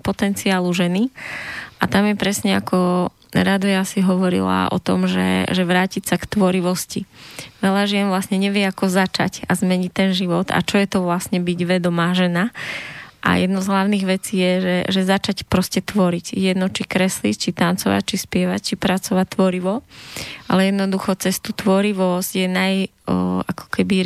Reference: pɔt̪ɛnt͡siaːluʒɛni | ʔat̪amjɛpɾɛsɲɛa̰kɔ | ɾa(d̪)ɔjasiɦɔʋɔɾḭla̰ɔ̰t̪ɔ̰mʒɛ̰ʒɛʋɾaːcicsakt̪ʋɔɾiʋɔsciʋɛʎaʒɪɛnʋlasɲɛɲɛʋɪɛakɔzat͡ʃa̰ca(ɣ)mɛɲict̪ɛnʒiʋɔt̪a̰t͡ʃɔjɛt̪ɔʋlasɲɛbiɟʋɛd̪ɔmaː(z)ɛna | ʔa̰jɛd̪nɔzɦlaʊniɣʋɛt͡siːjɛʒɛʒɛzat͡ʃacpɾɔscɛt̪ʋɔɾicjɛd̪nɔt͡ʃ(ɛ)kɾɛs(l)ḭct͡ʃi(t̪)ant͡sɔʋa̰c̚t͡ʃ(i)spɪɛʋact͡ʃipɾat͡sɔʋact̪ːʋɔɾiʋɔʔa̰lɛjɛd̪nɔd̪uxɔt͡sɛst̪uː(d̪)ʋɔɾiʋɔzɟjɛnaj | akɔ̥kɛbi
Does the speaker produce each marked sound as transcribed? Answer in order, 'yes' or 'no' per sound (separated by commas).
yes, no, no, no, yes, yes, yes, no